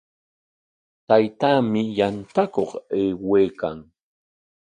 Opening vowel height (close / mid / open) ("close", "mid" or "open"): open